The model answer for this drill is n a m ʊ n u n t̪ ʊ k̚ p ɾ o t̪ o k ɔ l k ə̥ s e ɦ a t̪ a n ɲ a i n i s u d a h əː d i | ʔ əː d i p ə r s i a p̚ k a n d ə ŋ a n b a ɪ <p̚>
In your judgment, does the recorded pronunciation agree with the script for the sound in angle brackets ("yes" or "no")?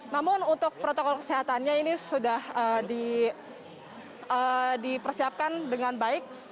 no